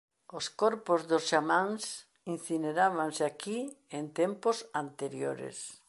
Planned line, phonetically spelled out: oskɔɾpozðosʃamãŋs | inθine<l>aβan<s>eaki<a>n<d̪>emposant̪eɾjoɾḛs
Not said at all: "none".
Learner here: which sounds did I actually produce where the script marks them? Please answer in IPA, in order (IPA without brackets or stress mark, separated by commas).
ɾ, s, e, t̪